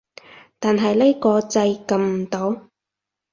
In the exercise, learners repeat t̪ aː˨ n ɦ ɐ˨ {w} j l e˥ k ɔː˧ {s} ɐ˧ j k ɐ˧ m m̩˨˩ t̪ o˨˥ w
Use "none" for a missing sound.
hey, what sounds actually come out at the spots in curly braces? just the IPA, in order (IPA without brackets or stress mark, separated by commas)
none, t͡s